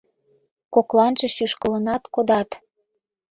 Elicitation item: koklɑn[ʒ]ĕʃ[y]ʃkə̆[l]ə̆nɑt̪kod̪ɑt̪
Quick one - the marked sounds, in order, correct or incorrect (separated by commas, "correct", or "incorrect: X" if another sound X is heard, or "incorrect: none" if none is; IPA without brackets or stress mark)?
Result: correct, correct, correct